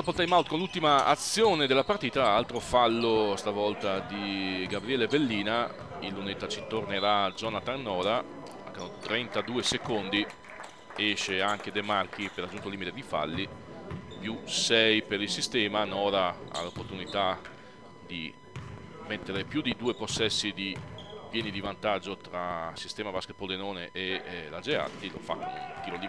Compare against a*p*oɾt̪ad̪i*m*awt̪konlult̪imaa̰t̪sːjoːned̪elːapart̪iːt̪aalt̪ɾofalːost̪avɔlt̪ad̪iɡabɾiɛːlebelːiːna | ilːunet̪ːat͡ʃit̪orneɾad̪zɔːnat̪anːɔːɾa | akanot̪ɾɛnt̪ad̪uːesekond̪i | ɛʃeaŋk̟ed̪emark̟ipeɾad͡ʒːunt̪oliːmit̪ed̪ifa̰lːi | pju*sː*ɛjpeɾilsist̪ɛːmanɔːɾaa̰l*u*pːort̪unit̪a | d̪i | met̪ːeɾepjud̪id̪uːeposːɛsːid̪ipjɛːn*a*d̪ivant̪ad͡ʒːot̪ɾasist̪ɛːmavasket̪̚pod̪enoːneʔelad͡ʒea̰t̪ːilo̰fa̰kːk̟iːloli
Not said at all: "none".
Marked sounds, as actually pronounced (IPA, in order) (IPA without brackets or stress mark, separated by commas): p, m, s, o, i